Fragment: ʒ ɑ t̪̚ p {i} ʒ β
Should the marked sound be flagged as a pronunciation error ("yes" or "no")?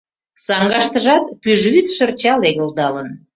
yes